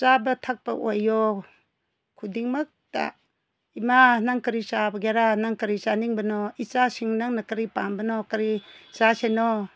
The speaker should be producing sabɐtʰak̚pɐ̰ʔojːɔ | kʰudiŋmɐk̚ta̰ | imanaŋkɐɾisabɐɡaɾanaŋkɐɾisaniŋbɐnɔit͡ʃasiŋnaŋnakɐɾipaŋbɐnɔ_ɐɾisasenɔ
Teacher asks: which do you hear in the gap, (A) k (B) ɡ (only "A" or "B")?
A